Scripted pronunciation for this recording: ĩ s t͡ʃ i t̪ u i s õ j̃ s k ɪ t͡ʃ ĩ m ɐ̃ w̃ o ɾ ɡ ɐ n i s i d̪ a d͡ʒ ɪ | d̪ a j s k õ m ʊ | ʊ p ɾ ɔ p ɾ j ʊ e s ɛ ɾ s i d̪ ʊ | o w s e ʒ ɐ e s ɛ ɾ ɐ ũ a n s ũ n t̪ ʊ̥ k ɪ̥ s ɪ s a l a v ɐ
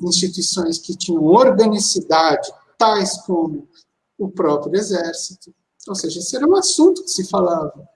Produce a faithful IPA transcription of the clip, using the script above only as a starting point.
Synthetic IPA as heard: ĩ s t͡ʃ i t̪ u i s õ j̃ s k ɪ t͡ʃ ĩ ɲ ɐ̃ w̃ o ɾ ɡ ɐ n i s i d̪ a d͡ʒ ɪ | t̪ a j s k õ m ʊ | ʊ p ɾ ɔ p ɾ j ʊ e z ɛ ɾ s i t̪ ʊ | o w s e ʒ ɐ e s ɛ ɾ ɐ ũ a s ũ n t̪ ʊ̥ k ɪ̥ s ɪ f a l a v ɐ

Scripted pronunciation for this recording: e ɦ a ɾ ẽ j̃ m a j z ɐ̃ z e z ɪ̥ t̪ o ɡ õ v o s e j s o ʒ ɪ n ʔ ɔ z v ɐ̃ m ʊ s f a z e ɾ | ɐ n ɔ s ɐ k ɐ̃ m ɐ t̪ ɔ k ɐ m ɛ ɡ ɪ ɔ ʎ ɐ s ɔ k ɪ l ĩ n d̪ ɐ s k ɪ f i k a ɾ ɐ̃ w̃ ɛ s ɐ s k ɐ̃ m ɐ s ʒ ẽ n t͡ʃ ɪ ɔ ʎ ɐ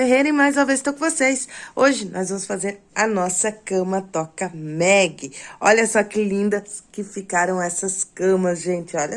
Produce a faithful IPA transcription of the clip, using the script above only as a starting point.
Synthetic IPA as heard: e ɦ e ɾ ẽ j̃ m a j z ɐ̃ v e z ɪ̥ t̪ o k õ v o s e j s o ʒ ɪ n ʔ ɔ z v ɐ̃ m ʊ s f a z e ɾ | ɐ n ɔ s ɐ k ɐ̃ m ɐ t̪ ɔ k ɐ m ɛ ɡ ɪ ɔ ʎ ɐ s ɔ k ɪ l ĩ n d̪ ɐ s k ɪ f i k a ɾ ɐ̃ w̃ ɛ s ɐ s k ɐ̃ m ɐ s ʒ ẽ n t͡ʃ ɪ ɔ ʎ ɐ

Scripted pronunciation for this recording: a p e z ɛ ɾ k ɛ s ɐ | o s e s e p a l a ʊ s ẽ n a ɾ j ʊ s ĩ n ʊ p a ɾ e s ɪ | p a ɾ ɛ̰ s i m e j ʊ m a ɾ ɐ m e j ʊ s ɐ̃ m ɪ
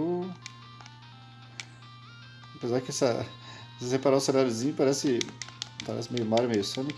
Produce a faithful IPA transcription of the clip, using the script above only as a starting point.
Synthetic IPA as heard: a p e z a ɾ k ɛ s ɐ | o s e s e p a ɾ a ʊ s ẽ n a ɾ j ʊ z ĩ ɲ ʊ p a ɾ ɛ s ɪ | p a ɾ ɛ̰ s ɪ m e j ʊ m a ɾ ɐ m e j ʊ s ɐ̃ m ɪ

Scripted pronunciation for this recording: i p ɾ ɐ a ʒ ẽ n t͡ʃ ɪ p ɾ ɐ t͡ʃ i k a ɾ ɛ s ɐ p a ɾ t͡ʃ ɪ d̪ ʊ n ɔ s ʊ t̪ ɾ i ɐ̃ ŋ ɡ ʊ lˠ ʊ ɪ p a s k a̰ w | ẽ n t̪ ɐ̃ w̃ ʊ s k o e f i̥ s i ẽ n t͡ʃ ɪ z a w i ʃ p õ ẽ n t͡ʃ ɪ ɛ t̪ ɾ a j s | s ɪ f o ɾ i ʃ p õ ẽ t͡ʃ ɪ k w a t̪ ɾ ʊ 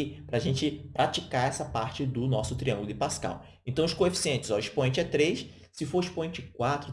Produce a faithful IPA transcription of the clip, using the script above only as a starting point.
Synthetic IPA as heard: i p ɾ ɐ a ʒ ẽ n t͡ʃ ɪ p ɾ a t͡ʃ i k a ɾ ɛ s ɐ p a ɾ t͡ʃ ɪ d̪ ʊ n ɔ s ʊ t̪ ɾ i ɐ̃ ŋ ɡ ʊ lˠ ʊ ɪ p a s k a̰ w | ẽ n t̪ ɐ̃ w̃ ʊ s k o e f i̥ s i ẽ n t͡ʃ ɪ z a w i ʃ p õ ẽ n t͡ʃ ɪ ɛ t̪ ɾ e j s | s ɪ f o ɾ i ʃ p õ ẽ t͡ʃ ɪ k w a t̪ ɾ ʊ

